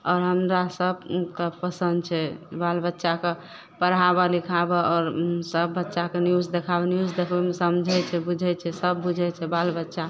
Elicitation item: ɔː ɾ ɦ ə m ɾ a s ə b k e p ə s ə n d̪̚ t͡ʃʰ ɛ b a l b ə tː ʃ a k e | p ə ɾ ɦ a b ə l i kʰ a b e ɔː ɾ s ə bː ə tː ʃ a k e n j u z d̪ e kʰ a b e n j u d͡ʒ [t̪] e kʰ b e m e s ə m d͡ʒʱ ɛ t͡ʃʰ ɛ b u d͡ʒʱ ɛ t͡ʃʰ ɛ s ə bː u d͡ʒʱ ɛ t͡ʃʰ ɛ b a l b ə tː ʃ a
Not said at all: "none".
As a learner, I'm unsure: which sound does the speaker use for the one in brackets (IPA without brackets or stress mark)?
d̪